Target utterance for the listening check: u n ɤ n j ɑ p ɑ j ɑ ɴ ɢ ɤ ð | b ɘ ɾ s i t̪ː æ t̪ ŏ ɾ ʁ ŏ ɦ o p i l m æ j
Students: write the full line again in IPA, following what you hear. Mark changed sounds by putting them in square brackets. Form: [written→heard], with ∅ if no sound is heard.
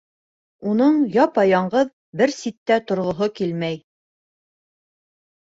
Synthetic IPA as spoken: u n ɤ [n→ɴ] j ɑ p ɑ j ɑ ɴ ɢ ɤ ð | b ɘ ɾ s i t̪ː æ t̪ ŏ ɾ ʁ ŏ ɦ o [p→k] i l m æ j